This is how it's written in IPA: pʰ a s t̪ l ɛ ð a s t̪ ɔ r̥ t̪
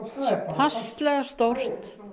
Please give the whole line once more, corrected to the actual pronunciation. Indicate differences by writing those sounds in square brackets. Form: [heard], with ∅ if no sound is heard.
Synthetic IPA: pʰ a s t̪ l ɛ [ɣ] a s t̪ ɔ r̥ t̪